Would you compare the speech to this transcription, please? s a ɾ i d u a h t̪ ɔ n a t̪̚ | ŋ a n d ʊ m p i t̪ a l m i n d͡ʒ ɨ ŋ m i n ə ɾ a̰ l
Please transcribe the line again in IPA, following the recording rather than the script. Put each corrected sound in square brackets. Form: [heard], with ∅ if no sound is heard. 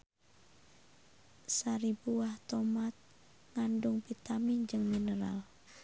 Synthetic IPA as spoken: s a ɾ i [b] u a h t̪ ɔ [m] a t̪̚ | ŋ a n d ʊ [ŋ] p i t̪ a [∅] m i n d͡ʒ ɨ ŋ m i n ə ɾ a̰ l